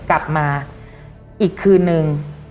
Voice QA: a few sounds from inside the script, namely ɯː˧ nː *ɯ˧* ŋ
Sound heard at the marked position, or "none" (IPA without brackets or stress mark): ɯ˧